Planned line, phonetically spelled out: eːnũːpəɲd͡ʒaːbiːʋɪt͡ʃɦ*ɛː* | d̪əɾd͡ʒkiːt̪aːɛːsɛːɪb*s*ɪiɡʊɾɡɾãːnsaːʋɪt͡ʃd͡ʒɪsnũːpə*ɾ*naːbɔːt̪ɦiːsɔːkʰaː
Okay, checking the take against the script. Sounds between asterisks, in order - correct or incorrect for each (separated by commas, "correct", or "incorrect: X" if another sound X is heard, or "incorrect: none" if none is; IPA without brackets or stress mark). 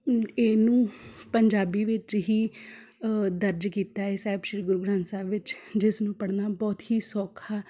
incorrect: iː, incorrect: ʃ, incorrect: ɽ